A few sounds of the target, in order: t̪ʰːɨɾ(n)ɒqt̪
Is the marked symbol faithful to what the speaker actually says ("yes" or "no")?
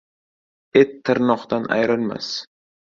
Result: yes